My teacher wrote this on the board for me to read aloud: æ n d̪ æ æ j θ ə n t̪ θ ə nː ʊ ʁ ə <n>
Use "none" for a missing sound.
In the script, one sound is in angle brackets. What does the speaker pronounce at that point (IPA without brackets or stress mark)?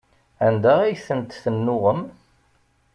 m